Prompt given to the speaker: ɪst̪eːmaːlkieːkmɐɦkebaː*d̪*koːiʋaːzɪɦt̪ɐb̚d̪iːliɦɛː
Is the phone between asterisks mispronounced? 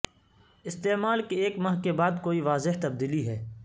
no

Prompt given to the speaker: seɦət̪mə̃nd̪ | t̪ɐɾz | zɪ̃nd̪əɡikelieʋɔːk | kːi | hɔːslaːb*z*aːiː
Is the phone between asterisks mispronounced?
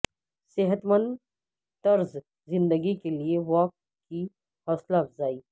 no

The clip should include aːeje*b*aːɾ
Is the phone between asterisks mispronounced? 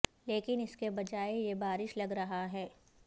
no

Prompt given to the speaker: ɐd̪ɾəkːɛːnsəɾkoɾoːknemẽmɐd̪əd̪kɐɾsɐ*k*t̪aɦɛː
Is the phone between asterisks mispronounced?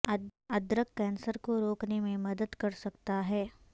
no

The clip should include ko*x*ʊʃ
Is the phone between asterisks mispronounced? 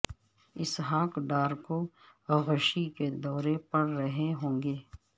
yes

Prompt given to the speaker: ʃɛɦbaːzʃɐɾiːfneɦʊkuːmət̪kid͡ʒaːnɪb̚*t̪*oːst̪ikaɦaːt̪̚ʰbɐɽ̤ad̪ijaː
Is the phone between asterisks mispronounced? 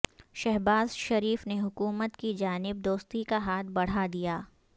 yes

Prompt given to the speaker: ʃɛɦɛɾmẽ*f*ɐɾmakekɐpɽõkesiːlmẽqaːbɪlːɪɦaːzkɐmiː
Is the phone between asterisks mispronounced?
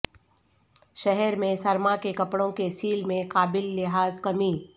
yes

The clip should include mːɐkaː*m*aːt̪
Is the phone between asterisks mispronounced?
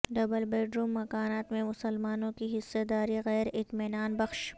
yes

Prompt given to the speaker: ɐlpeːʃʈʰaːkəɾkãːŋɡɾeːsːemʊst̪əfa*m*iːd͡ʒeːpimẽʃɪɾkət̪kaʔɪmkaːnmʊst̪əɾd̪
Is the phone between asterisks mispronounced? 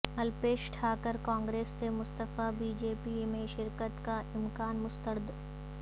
yes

